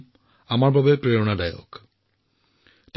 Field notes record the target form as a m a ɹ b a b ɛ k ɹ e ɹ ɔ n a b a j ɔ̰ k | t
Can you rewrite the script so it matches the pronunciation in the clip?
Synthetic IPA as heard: a m a ɹ b a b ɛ p ɹ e ɹ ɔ n a d a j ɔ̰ k | t